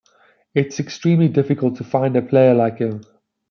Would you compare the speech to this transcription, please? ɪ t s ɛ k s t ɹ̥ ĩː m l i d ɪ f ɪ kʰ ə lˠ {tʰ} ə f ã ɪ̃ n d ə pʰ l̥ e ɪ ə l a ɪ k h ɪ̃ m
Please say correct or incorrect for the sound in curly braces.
correct